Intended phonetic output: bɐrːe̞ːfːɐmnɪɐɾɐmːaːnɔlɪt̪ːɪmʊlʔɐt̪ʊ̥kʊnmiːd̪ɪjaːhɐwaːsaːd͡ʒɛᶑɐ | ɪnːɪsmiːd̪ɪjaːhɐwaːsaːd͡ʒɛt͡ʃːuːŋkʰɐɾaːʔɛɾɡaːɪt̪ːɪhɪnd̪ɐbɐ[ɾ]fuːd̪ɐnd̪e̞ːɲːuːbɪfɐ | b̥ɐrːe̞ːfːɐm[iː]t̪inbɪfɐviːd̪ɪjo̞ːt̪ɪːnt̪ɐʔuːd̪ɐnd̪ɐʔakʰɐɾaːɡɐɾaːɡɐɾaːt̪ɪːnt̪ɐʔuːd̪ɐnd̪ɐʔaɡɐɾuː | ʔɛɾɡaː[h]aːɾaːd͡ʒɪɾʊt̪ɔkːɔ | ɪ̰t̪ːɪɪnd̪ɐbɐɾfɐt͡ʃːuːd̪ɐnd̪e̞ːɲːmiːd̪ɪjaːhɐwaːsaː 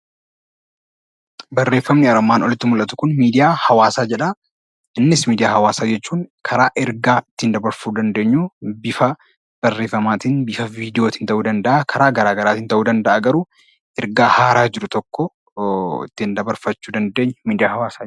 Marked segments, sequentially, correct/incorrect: correct, incorrect, correct

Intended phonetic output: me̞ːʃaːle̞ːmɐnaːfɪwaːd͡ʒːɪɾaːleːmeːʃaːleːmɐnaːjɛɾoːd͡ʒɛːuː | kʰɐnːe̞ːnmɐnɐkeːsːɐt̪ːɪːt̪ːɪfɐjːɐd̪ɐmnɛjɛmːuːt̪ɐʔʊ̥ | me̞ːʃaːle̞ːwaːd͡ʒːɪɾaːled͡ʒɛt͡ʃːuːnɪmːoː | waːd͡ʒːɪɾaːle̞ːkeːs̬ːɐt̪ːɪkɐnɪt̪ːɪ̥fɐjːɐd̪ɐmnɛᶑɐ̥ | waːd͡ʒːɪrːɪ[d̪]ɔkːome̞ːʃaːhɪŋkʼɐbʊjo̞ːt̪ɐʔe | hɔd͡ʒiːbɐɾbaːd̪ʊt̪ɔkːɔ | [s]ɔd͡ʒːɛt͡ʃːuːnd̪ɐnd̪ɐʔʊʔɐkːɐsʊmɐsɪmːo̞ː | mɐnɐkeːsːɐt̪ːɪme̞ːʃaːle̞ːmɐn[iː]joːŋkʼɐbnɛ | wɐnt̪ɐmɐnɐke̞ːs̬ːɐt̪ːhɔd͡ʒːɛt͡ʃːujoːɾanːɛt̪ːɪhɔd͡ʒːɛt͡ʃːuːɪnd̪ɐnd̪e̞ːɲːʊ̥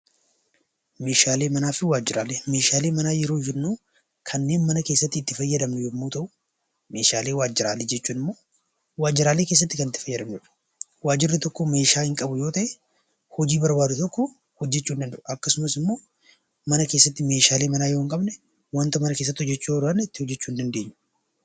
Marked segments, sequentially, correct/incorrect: incorrect, incorrect, incorrect

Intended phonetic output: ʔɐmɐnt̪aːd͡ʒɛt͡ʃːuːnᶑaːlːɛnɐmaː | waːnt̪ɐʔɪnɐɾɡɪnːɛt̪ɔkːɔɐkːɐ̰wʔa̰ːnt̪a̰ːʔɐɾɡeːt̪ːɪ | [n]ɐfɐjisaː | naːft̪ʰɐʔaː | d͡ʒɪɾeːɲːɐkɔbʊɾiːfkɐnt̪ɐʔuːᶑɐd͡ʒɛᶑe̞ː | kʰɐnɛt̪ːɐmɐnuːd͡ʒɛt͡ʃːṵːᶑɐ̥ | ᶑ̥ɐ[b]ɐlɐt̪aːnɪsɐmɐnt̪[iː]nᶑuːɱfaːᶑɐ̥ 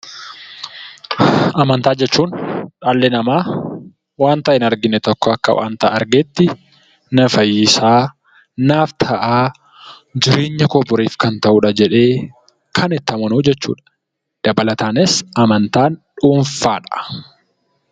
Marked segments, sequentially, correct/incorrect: correct, correct, incorrect

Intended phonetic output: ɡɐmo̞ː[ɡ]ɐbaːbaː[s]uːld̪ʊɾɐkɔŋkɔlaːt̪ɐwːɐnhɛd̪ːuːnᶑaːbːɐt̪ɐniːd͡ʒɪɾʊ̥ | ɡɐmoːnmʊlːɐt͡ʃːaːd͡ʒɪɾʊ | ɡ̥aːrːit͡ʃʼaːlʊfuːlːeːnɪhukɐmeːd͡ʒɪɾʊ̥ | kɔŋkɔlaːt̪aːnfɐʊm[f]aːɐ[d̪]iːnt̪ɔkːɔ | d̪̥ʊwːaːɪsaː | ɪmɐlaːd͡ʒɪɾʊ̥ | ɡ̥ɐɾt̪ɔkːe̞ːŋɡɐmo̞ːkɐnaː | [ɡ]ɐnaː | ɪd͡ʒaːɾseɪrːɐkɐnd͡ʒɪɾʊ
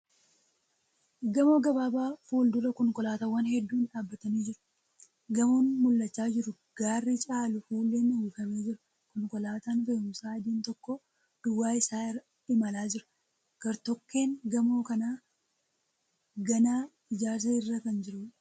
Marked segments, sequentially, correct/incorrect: correct, incorrect, incorrect, correct, correct

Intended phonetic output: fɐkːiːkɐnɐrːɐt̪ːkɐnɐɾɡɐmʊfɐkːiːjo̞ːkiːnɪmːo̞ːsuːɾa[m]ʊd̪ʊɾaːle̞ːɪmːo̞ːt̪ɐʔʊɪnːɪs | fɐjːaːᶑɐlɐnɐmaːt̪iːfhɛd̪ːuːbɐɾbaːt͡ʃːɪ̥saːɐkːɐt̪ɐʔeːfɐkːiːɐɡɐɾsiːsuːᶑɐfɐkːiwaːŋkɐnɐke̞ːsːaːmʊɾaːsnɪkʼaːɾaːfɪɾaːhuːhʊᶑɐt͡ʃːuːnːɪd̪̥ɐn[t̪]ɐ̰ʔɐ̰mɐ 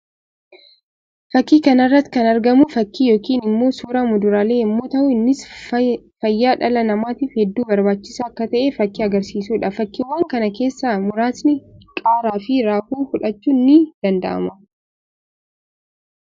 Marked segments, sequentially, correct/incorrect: correct, incorrect

